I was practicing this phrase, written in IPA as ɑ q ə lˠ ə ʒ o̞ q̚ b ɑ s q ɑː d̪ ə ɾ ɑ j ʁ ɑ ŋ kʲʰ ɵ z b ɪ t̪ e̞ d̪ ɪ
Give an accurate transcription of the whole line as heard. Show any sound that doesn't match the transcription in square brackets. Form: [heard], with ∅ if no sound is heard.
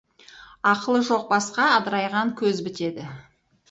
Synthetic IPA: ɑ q ə lˠ ə ʒ o̞ q̚ b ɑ s q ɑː d̪ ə ɾ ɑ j ʁ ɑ ŋ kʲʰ ɵ z b ɪ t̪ e̞ d̪ ɪ